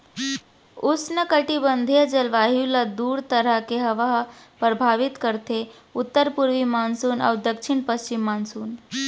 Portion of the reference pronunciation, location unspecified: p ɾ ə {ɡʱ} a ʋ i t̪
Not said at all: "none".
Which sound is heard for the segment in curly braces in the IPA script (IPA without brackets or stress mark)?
bʱ